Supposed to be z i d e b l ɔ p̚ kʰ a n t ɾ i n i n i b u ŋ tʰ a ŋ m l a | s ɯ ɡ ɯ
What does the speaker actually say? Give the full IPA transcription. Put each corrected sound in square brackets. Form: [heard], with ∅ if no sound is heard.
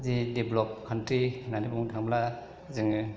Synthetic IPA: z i d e b l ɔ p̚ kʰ a n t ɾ i n [a] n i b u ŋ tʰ a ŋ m l a | [z] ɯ [ŋ] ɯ